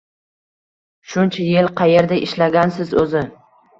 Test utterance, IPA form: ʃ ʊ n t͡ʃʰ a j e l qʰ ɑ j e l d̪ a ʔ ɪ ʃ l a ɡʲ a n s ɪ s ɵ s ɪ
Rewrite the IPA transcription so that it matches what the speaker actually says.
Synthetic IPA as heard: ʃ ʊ n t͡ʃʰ a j e l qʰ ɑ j e ɾ d̪ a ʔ ɪ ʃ l a ɡʲ a n s ɪ z ɵ z ɪ